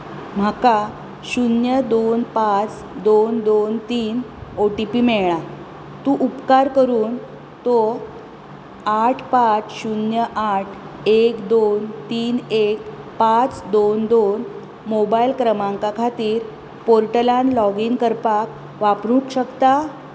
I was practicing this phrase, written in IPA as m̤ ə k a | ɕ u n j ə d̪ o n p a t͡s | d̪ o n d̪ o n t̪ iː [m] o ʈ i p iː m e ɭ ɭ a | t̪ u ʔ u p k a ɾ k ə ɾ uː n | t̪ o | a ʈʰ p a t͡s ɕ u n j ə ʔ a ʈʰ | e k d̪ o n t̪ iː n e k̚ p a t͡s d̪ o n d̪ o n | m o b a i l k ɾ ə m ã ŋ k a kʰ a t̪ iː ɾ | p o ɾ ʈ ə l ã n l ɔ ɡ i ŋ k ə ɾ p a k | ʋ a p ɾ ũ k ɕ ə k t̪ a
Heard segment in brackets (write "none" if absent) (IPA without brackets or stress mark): n